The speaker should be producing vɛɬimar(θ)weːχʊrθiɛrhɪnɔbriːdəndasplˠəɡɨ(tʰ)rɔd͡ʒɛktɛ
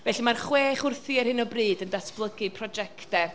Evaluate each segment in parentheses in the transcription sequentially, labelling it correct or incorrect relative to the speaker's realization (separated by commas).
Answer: incorrect, incorrect